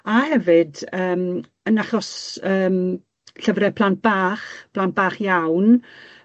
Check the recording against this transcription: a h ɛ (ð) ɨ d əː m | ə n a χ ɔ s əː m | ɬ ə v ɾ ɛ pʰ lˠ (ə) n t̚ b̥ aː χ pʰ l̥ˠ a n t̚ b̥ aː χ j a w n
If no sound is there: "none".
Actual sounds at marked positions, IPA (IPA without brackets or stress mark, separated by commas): v, a